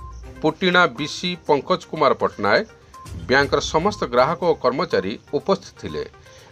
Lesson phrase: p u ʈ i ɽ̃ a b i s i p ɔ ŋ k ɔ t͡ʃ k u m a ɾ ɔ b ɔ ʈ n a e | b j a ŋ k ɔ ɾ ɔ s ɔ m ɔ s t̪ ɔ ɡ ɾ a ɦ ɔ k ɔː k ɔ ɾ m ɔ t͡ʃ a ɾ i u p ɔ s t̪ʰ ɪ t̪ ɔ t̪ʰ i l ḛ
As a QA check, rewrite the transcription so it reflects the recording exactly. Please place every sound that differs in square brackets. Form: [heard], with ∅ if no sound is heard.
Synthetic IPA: p u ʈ i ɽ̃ a b i s i p ɔ ŋ k ɔ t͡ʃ k u m a ɾ ɔ [p] ɔ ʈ n a e | b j a ŋ k ɔ ɾ ɔ s ɔ m ɔ s t̪ ɔ ɡ ɾ a ɦ ɔ k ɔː k ɔ ɾ m ɔ t͡ʃ a ɾ i u p ɔ s t̪ʰ [i] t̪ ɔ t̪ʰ i l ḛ